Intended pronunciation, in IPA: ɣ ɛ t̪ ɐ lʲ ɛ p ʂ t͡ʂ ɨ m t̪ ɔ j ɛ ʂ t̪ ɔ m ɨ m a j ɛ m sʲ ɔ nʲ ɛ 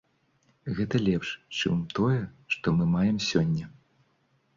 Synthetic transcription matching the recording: ɣ ɛ t̪ ɐ lʲ ɛ p ʂ t͡ʂ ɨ m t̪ ɔ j ɛ ʂ t̪ ɔ m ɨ m a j ɛ m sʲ ɔ nʲː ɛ